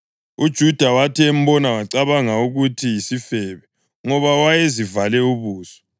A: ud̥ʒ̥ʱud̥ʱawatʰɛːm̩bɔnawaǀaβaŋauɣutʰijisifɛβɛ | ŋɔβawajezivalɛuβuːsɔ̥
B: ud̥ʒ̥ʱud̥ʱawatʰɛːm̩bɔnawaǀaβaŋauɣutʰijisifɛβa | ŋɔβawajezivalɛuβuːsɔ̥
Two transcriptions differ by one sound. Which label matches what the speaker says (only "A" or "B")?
A